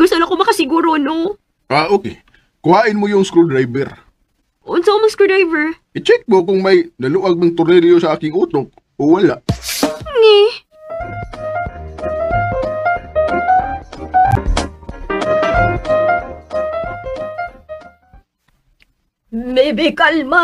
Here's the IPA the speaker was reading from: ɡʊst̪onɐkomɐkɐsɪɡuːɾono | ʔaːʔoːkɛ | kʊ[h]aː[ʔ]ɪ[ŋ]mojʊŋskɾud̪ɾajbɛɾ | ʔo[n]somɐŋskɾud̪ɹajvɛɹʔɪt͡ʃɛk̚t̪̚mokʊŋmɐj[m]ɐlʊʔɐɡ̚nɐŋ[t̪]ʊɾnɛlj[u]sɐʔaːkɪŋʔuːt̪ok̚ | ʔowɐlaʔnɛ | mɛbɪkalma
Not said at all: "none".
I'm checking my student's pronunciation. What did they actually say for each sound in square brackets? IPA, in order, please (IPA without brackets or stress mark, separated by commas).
h, ʔ, n, n, n, t̪, o